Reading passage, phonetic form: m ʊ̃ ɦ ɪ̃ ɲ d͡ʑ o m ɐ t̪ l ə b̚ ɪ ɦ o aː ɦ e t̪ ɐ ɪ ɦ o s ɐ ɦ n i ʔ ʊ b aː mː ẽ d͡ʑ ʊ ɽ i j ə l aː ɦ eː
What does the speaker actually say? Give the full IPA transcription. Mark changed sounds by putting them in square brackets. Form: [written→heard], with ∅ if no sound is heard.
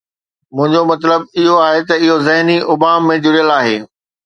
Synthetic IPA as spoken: m ʊ̃ ɦ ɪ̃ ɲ d͡ʑ o m ɐ t̪ l ə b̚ ɪ ɦ o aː ɦ e t̪ ɐ ɪ ɦ o [s→z] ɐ ɦ n i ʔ ʊ b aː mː ẽ d͡ʑ ʊ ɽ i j ə l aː ɦ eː